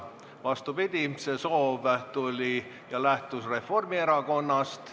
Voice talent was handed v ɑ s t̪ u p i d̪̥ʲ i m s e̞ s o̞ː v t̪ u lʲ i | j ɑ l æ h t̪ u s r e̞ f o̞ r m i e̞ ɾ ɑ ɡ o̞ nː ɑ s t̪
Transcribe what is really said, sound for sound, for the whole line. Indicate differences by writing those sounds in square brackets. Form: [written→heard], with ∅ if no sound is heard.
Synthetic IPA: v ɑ s t̪ u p i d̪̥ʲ i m s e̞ s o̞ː v t̪ u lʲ i | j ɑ l æ h t̪ u s r e̞ f o̞ r m i e̞ ɾ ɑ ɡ o̞ nː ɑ s t̪